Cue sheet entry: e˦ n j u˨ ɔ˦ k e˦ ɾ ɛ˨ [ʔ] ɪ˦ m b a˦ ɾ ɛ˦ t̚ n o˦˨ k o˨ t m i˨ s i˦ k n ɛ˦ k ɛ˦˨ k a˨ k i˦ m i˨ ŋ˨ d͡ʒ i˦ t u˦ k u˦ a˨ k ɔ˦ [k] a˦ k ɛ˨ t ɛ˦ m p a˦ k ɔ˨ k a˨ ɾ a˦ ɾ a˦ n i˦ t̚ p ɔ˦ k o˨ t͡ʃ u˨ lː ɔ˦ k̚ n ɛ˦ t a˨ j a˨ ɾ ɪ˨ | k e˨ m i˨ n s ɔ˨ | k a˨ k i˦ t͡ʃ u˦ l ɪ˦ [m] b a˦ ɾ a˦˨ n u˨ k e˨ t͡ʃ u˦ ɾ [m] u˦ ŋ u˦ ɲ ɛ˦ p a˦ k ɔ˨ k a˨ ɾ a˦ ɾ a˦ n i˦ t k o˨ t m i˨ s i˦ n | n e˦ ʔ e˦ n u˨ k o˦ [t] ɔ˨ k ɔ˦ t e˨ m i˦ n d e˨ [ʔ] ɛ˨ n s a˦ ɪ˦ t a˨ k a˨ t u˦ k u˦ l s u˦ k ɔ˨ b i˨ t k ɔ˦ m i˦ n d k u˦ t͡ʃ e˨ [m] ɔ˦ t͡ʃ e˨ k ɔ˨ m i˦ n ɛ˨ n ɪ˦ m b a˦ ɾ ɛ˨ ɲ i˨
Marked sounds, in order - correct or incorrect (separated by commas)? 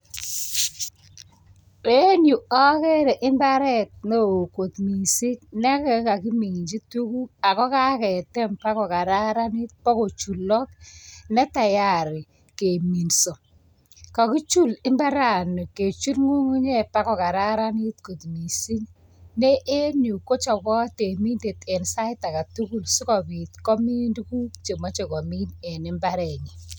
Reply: correct, correct, correct, incorrect, incorrect, incorrect, correct